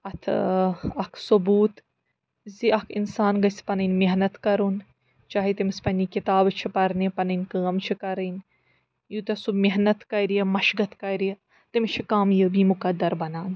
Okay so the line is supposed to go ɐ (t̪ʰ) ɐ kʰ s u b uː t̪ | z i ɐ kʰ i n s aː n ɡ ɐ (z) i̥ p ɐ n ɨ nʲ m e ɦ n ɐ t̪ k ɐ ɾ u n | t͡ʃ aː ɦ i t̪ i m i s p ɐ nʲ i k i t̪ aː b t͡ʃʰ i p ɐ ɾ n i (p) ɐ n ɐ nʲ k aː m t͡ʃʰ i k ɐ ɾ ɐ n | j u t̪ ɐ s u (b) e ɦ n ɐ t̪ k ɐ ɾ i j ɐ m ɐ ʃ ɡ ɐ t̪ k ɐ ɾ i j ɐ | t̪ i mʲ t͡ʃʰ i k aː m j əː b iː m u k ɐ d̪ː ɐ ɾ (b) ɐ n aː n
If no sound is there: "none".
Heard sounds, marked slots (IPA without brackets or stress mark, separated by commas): t̪ʰ, s, p, m, b